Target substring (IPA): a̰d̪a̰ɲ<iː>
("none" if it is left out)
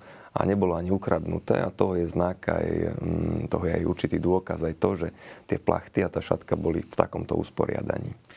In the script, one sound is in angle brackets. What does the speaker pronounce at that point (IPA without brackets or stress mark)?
iː